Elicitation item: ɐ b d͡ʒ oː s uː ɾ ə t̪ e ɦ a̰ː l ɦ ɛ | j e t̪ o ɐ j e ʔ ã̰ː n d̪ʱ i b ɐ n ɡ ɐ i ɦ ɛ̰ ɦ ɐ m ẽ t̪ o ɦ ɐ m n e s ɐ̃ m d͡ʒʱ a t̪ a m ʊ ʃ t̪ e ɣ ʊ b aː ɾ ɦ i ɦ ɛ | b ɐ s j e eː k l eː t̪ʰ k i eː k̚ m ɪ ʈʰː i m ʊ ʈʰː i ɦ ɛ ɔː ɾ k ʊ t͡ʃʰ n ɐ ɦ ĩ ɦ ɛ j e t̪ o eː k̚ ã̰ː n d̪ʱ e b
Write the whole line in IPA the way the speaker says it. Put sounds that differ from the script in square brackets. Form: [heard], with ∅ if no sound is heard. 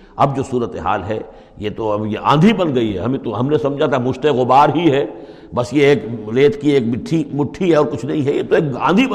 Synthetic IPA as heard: ɐ b d͡ʒ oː s uː ɾ ə t̪ e ɦ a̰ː l ɦ ɛ | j e t̪ o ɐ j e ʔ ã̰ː n d̪ʱ i b ɐ n ɡ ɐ i ɦ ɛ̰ ɦ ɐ m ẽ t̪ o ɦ ɐ m n e s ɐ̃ m d͡ʒʱ a t̪ a m ʊ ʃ t̪ e ɣ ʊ b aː ɾ ɦ i ɦ ɛ | b ɐ s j e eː k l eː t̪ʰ k i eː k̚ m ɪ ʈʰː i m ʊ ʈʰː i ɦ ɛ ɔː ɾ k ʊ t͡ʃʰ n ɐ ɦ ĩ ɦ ɛ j e t̪ o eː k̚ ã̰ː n d̪ʱ [i] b